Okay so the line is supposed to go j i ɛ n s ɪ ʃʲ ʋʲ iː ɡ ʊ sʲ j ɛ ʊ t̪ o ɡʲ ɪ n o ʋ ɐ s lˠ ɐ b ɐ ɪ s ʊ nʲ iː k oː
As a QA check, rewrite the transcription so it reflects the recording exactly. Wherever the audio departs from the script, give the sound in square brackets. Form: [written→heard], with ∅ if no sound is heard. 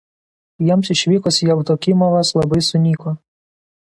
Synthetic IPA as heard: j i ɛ [n→m] s ɪ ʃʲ ʋʲ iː [ɡ→k] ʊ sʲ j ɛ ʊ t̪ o [ɡʲ→kʲ] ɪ [n→m] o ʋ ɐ s lˠ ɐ b ɐ ɪ s ʊ nʲ iː k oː

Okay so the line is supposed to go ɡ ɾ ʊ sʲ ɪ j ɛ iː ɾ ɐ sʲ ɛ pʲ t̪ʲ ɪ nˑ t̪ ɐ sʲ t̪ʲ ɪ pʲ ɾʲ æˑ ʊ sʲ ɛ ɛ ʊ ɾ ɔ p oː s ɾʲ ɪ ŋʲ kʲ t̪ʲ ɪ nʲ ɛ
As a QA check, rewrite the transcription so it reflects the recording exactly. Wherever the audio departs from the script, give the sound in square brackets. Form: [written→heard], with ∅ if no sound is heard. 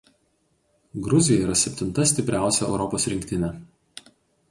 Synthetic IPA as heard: ɡ ɾ ʊ [sʲ→zʲ] ɪ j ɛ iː ɾ ɐ sʲ ɛ pʲ t̪ʲ ɪ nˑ t̪ ɐ sʲ t̪ʲ ɪ pʲ ɾʲ æˑ ʊ sʲ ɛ ɛ ʊ ɾ ɔ p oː s ɾʲ ɪ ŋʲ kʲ t̪ʲ ɪ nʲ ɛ

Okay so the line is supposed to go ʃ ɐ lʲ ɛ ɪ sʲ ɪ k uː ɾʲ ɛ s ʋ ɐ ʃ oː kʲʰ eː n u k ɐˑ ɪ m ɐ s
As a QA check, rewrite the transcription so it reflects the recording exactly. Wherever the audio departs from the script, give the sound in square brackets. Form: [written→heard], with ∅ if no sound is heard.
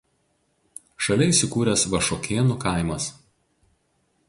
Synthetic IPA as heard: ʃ ɐ lʲ ɛ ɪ sʲ ɪ k uː ɾʲ ɛ s ʋ ɐ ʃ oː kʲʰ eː n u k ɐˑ ɪ m ɐ s

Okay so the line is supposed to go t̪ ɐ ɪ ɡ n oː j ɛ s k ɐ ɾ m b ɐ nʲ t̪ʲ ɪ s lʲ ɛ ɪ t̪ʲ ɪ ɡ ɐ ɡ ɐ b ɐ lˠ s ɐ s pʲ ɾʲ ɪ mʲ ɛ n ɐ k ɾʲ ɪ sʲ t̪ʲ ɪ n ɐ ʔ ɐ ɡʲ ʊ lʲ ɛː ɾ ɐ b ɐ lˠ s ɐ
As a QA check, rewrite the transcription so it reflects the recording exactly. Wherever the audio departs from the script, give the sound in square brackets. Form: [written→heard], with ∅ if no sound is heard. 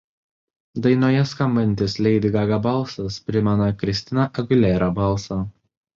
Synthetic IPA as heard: [t̪→d̪] ɐ ɪ [ɡ→∅] n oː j ɛ s k ɐ [ɾ→∅] m b ɐ nʲ t̪ʲ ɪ s lʲ ɛ ɪ [t̪ʲ→d̪ʲ] ɪ ɡ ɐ ɡ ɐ b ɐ lˠ s ɐ s pʲ ɾʲ ɪ mʲ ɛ n ɐ k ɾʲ ɪ sʲ t̪ʲ ɪ n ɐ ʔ ɐ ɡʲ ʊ lʲ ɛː ɾ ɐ b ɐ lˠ s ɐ

